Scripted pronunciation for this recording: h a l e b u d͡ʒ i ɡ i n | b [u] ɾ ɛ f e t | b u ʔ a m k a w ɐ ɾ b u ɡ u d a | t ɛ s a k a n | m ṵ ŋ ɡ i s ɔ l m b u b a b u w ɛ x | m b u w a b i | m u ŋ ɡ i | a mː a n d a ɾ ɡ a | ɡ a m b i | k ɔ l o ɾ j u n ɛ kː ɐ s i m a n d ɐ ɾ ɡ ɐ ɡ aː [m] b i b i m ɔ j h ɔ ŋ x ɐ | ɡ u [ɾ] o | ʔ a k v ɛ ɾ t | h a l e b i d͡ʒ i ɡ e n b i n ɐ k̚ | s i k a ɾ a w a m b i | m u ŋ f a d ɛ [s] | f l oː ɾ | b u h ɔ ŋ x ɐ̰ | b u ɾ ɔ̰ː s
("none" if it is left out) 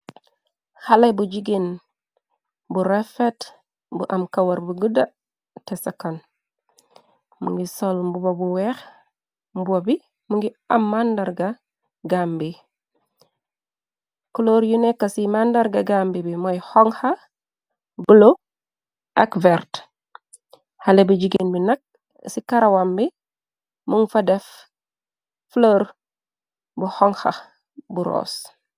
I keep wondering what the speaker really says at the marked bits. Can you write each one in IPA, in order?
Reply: u, m, l, f

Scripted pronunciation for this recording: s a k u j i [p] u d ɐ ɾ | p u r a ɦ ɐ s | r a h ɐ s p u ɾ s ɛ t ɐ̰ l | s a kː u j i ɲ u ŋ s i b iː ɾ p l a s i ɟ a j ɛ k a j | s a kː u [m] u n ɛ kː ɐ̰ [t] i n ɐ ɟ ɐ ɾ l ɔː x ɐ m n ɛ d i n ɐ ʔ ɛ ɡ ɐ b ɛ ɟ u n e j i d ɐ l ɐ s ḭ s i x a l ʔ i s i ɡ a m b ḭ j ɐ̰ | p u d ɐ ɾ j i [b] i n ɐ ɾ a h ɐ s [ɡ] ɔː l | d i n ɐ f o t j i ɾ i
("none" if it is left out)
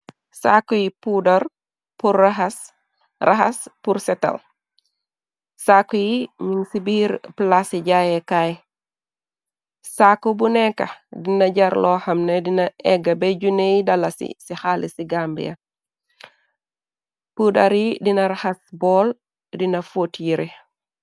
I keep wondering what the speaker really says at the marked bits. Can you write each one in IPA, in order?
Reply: p, b, d, d, b

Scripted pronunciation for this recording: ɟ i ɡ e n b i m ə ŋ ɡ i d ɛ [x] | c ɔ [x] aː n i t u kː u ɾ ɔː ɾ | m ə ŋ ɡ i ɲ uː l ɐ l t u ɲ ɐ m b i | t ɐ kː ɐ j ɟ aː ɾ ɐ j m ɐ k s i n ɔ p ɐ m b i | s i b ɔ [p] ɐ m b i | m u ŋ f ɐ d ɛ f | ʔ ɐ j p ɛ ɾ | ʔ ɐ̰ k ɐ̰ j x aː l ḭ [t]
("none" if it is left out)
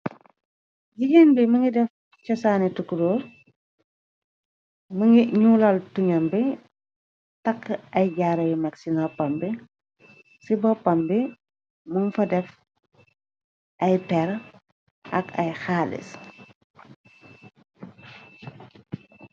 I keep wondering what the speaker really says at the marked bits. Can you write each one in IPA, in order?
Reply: f, s, p, s

